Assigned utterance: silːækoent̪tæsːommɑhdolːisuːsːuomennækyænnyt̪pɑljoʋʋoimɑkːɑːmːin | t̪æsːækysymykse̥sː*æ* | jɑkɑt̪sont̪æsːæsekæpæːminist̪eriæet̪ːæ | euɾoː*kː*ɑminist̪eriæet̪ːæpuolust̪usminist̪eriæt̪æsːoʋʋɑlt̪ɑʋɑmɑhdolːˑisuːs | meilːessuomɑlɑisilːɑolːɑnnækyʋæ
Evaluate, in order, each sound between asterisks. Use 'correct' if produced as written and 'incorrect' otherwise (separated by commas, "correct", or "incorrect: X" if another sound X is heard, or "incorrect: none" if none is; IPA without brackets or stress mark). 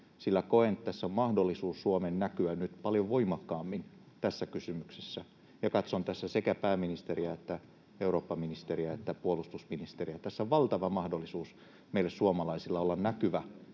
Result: correct, incorrect: pː